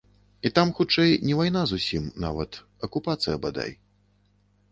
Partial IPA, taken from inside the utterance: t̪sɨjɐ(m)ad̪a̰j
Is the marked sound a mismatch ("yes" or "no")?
yes